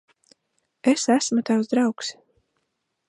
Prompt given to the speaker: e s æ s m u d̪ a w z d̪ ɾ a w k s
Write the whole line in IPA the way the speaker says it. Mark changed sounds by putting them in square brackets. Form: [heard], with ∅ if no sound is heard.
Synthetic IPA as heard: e s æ s m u [t̪] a w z d̪ ɾ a w k s